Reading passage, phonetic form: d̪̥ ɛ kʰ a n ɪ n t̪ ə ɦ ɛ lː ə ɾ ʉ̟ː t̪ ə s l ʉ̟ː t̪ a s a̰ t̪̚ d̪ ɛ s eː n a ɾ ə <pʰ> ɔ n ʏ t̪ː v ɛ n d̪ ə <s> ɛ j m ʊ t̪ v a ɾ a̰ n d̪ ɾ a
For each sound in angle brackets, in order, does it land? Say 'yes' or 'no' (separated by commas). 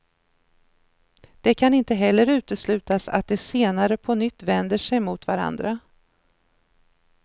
yes, no